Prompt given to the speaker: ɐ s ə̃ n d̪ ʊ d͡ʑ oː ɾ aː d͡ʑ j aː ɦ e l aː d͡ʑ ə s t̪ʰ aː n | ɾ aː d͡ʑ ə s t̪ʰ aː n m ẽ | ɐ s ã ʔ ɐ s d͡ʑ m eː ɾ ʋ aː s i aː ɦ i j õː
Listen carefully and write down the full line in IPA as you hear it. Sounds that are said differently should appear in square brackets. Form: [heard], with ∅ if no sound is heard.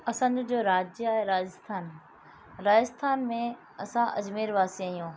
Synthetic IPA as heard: ɐ s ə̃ n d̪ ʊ d͡ʑ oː ɾ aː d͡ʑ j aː ɦ e [ɾ] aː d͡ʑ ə s t̪ʰ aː n | ɾ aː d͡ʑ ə s t̪ʰ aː n m ẽ | ɐ s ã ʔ ɐ [∅] d͡ʑ m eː ɾ ʋ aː s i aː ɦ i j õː